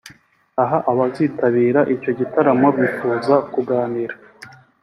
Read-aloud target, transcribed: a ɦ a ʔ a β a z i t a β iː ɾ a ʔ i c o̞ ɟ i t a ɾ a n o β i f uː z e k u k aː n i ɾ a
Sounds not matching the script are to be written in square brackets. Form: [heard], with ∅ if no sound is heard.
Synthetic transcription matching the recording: a ɦ a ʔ a β a z i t a β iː ɾ a ʔ i c o̞ ɟ i t a ɾ a [m] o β i f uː z [a] k u [ɡ] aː n i ɾ a